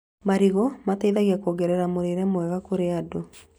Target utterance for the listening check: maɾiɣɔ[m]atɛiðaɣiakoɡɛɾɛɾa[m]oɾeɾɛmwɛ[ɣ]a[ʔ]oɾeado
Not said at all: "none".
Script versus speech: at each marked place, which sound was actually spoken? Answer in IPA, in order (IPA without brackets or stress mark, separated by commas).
m, m, ɣ, k